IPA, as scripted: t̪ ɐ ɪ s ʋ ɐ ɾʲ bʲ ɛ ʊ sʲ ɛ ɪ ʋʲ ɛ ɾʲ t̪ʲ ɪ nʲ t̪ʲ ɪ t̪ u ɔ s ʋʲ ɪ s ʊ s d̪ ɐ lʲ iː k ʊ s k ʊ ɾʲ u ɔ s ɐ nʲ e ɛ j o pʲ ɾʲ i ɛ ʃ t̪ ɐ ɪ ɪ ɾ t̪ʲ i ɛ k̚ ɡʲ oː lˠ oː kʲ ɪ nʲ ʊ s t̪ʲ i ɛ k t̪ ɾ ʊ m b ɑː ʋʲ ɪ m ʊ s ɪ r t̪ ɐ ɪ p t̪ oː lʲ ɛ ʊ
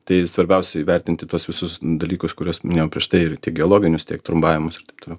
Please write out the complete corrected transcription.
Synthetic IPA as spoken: t̪ ɐ ɪ s ʋ ɐ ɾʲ bʲ ɛ ʊ sʲ ɛ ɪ ʋʲ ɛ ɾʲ t̪ʲ ɪ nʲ t̪ʲ ɪ t̪ u ɔ s ʋʲ ɪ s ʊ s d̪ ɐ lʲ iː k ʊ s k ʊ ɾʲ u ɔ s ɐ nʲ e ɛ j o pʲ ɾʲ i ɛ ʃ t̪ ɐ ɪ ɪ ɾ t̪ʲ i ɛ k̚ ɡʲ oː lˠ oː ɡʲ ɪ nʲ ʊ s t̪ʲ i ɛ k t̪ ɾ ʊ m b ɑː ʋʲ ɪ m ʊ s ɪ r t̪ ɐ ɪ p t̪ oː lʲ ɛ ʊ